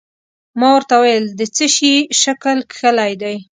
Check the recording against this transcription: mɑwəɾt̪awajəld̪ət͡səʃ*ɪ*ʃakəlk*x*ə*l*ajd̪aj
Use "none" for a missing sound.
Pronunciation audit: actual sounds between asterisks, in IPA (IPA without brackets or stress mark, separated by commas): i, x, l